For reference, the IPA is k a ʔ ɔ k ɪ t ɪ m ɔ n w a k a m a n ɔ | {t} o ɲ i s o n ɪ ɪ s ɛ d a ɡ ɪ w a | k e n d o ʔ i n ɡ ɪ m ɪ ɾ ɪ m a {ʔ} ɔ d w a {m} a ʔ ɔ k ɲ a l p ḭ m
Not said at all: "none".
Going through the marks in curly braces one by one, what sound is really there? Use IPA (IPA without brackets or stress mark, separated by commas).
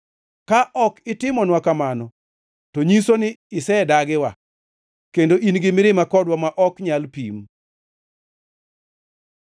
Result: t, k, m